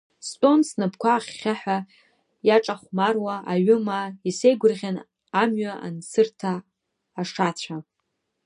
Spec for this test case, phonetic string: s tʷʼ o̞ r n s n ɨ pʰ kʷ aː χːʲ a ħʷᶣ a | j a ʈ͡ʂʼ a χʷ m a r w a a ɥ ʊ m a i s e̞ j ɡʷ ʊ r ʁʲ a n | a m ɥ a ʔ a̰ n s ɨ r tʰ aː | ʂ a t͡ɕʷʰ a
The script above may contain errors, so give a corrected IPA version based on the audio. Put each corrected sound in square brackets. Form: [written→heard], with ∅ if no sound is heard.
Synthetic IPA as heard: s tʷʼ o̞ [r→∅] n s n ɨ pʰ kʷ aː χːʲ a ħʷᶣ a | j a ʈ͡ʂʼ a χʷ m a r w a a ɥ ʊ m a i s e̞ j ɡʷ ʊ r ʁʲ a n | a m ɥ a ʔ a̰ n s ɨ r tʰ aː | ʂ a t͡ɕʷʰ a